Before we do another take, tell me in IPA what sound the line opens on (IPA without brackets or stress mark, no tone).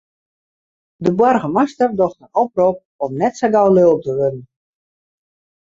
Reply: d